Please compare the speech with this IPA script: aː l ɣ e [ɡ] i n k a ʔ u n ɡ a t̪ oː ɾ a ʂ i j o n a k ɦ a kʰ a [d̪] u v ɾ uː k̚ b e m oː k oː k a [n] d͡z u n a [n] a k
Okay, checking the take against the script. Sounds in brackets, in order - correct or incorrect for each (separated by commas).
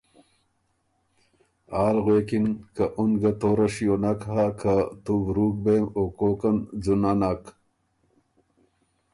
incorrect, incorrect, correct, correct